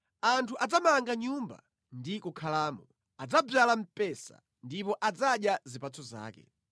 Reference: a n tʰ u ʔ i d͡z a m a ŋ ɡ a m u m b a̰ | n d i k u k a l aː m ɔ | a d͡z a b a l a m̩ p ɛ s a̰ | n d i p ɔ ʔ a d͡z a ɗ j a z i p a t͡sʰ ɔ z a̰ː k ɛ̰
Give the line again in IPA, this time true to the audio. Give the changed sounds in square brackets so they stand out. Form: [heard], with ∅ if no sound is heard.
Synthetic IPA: a n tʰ u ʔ [a] d͡z a m a ŋ ɡ a [ɲ] u m b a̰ | n d i k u [kʰ] a l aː m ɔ | a d͡z a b a l a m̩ p ɛ s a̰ | n d i p ɔ ʔ a d͡z a ɗ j a z i p a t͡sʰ ɔ z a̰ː k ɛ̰